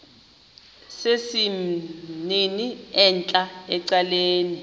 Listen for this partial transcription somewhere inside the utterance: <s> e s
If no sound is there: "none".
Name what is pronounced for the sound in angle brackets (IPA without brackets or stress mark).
s